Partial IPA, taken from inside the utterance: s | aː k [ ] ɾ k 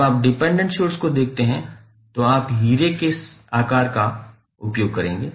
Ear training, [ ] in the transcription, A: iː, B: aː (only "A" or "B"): B